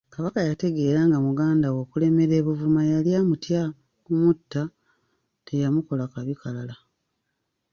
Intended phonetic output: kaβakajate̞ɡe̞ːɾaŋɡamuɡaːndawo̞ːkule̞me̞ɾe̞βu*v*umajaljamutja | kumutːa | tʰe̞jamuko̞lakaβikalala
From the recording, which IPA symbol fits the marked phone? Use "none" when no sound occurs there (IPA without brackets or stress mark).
v